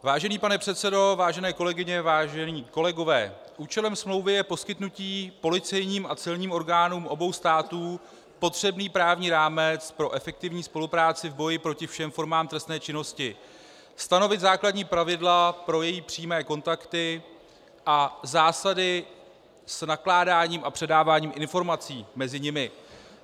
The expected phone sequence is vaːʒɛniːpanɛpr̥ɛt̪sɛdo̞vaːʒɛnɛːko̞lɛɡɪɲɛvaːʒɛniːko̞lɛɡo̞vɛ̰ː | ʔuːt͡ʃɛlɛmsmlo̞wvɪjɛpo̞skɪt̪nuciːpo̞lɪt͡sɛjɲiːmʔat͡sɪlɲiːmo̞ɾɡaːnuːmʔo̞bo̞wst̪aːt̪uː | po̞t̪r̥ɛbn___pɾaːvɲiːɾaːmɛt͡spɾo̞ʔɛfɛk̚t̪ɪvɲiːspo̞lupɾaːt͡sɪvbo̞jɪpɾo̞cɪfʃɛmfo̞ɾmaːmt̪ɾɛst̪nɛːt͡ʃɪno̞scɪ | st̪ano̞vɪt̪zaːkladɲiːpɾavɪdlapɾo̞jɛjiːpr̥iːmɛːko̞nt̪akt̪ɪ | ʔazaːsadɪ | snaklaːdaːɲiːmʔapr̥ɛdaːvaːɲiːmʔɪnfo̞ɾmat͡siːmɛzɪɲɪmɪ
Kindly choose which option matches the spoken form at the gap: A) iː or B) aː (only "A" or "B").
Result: A